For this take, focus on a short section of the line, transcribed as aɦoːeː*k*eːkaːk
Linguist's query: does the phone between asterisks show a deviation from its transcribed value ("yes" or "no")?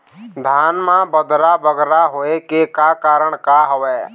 no